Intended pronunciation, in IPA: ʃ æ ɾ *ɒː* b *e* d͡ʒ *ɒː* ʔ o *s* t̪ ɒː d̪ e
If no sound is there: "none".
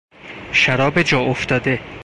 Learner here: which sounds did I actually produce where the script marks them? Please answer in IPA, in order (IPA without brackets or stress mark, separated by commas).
ɒː, e, ɒː, f